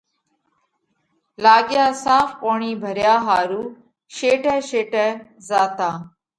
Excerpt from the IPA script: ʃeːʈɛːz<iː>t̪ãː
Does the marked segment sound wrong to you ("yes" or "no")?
yes